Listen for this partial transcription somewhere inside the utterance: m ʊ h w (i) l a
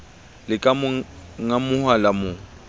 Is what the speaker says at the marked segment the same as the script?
no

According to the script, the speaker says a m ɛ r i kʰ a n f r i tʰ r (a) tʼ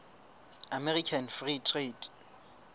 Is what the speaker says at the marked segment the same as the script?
no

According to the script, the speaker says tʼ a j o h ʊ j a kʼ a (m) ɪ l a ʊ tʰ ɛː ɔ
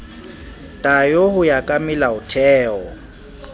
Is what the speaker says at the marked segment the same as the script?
yes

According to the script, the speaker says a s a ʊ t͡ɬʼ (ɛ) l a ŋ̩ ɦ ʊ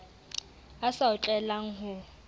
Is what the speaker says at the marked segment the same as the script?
yes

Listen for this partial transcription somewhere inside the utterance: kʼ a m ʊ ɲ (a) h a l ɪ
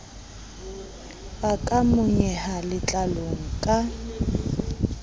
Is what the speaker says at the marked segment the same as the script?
no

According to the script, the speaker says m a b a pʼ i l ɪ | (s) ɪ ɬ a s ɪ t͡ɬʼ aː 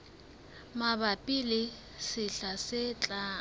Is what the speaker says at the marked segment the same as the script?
yes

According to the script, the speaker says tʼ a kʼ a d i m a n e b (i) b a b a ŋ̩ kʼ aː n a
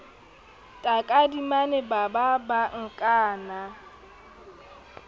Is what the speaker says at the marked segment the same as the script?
no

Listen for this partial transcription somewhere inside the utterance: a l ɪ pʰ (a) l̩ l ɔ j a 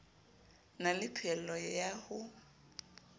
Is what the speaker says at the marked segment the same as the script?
no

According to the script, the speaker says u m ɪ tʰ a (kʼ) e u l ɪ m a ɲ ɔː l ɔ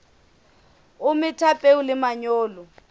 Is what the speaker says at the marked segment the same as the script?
no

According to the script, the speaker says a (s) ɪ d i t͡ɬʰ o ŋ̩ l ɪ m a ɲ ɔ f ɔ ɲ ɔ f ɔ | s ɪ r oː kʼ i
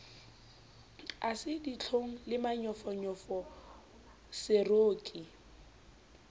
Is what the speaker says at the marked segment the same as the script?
yes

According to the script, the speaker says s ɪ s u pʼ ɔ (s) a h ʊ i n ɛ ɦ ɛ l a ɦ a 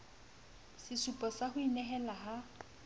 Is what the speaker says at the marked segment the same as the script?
yes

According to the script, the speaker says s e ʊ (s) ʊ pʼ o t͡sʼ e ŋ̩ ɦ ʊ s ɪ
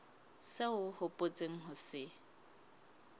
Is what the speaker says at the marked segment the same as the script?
no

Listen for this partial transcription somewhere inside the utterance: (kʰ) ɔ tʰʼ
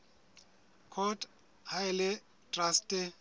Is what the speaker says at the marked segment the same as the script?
yes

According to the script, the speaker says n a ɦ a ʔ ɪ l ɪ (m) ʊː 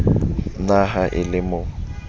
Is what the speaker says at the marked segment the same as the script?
yes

